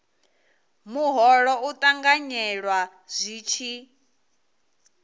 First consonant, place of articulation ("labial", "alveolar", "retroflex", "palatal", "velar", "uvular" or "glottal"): labial